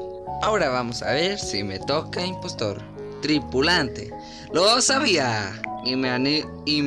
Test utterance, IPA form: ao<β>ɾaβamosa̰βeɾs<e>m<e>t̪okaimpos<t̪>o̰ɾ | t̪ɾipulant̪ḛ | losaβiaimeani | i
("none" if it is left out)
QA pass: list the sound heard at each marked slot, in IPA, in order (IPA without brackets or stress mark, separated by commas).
none, i, e, t̪